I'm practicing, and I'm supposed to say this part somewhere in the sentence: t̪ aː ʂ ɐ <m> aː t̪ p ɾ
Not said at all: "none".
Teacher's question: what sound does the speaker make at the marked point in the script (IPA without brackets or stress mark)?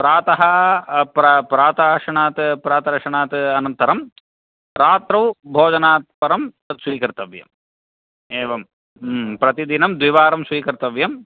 ɳ